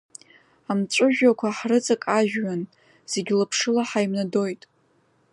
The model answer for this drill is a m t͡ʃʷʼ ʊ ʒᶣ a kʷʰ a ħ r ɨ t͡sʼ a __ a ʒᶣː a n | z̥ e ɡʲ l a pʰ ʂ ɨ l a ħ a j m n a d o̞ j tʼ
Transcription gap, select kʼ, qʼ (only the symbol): kʼ